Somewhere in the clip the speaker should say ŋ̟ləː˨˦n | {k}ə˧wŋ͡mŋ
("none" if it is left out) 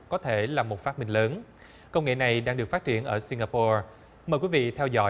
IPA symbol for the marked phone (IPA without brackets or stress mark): k